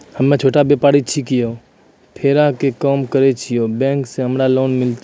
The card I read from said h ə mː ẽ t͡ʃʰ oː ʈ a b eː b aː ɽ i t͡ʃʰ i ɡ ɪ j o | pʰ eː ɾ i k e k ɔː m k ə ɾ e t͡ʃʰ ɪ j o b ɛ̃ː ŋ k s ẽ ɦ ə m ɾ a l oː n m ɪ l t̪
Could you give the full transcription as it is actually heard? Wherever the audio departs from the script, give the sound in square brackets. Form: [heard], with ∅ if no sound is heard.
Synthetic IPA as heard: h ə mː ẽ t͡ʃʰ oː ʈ a b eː [p] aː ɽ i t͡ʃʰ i [k] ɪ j o | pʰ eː ɾ [a] k e k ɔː m k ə ɾ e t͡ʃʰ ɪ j o b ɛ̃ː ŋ k s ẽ ɦ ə m ɾ a l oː n m ɪ l t̪